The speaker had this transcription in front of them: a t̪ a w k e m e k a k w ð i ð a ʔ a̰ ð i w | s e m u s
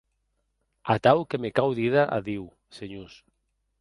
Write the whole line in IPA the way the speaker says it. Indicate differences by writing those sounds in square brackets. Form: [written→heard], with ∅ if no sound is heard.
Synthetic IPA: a t̪ a w k e m e k a [k→∅] w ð i ð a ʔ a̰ ð i w | s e [m→ɲ] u s